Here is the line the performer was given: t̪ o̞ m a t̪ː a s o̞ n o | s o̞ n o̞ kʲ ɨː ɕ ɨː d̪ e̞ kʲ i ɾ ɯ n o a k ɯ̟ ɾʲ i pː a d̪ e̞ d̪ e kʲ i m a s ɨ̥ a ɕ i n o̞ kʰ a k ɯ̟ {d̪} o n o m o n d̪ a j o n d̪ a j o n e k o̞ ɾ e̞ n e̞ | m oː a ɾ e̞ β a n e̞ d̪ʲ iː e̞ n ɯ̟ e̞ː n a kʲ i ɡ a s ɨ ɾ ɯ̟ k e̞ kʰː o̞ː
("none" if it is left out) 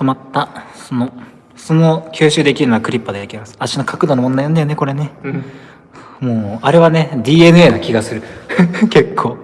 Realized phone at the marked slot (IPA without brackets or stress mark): d̪